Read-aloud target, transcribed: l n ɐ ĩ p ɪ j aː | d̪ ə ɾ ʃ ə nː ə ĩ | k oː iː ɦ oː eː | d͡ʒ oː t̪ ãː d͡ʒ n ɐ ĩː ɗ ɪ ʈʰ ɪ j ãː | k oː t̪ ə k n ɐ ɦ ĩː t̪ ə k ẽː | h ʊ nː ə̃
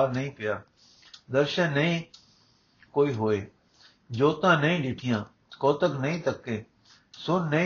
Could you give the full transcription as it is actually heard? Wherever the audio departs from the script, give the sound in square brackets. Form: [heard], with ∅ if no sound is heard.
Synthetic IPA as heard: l n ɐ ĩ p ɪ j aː | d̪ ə ɾ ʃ ə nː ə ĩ | k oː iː ɦ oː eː | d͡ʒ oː t̪ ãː [∅] n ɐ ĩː ɗ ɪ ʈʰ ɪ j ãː | k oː t̪ ə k n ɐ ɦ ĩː t̪ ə k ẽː | [s] ʊ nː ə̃